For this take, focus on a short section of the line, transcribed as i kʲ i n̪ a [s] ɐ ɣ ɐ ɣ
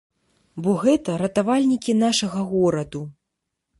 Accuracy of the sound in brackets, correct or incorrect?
incorrect: ʂ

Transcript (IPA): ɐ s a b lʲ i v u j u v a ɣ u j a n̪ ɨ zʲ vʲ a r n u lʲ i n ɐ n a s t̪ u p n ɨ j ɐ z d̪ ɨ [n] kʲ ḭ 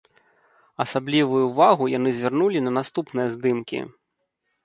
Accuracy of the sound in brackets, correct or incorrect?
incorrect: m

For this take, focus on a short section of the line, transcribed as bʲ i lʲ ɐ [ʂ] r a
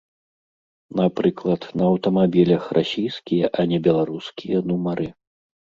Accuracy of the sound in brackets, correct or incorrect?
incorrect: x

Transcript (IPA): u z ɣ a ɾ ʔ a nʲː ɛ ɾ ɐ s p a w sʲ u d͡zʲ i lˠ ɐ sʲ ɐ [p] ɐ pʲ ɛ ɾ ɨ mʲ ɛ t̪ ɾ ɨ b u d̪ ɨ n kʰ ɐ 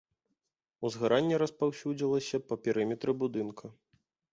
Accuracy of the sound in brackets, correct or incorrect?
correct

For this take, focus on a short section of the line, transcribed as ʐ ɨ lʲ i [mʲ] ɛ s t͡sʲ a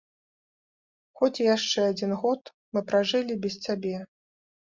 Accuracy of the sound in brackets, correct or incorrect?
incorrect: bʲ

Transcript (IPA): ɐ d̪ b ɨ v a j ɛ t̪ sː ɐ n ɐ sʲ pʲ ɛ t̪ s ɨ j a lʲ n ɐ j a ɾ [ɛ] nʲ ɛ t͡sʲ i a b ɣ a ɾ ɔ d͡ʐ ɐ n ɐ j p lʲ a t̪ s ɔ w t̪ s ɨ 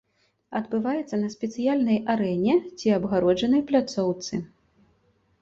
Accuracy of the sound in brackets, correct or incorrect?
correct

